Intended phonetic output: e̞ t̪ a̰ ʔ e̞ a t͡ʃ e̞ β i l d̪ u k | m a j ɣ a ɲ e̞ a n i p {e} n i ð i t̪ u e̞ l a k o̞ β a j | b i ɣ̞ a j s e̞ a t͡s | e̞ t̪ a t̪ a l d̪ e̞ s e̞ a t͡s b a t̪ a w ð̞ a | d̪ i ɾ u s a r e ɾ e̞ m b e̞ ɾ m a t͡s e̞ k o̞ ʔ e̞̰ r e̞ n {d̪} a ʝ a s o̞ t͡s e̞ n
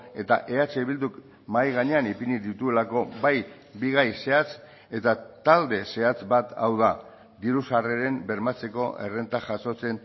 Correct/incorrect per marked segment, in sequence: incorrect: i, incorrect: t̪

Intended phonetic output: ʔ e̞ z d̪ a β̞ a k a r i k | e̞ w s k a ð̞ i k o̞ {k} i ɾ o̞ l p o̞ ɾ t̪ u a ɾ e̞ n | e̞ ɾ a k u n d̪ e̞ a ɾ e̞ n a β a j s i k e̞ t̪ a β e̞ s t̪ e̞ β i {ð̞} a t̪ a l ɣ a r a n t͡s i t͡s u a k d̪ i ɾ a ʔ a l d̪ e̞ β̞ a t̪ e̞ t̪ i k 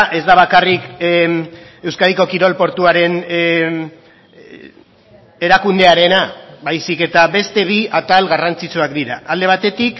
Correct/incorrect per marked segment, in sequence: correct, incorrect: none

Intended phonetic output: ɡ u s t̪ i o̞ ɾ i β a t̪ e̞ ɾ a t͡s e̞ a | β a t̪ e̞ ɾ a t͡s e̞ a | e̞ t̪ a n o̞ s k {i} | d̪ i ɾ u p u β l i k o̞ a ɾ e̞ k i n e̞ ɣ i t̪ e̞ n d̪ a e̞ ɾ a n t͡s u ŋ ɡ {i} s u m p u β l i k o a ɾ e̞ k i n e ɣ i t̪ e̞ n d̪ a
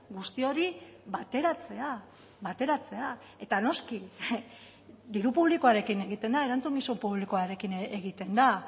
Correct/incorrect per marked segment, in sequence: correct, correct

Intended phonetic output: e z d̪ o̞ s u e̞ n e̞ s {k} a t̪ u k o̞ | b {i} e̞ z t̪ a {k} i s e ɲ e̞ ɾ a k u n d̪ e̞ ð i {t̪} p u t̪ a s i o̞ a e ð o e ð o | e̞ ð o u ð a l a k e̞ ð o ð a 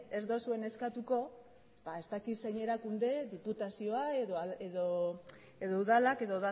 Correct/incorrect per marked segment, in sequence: correct, incorrect: a, correct, incorrect: none

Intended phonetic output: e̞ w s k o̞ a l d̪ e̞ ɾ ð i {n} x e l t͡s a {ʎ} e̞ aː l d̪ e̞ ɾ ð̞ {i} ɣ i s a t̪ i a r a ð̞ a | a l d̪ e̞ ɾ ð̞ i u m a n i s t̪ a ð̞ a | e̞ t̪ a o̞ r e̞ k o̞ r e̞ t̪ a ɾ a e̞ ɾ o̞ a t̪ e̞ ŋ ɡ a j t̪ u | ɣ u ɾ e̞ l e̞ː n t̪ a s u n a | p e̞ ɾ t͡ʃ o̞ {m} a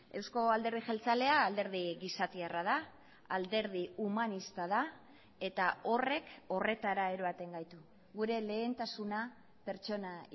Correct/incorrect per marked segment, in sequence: incorrect: none, incorrect: l, correct, incorrect: n

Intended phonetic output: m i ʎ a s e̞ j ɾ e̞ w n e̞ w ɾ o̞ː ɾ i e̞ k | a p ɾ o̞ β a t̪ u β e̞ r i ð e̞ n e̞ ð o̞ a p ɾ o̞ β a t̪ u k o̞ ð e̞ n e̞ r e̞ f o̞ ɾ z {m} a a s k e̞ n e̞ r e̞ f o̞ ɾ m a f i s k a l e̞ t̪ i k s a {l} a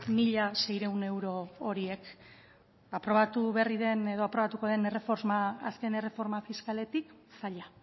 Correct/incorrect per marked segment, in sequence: correct, incorrect: ʎ

